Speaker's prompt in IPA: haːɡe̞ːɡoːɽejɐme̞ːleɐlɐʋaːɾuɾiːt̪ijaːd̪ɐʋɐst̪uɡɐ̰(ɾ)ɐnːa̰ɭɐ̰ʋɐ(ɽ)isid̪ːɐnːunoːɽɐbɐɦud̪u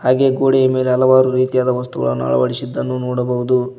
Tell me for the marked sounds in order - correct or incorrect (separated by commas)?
incorrect, correct